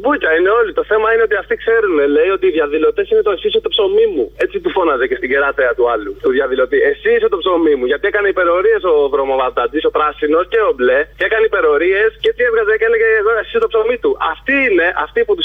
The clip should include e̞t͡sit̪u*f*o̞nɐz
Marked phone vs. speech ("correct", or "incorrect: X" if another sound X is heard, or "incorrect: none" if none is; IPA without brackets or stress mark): correct